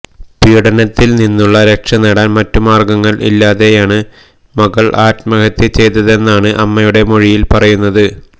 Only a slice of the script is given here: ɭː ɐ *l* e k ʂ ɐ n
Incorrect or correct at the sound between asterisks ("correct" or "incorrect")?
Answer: incorrect